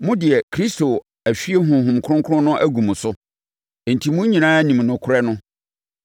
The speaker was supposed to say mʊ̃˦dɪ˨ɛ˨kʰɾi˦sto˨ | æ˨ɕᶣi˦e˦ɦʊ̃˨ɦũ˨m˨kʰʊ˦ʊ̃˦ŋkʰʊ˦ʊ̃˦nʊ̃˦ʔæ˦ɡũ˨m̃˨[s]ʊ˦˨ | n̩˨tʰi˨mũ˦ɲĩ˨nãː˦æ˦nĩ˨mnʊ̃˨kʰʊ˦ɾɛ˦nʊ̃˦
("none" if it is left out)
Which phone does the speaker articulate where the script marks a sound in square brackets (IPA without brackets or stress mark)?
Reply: s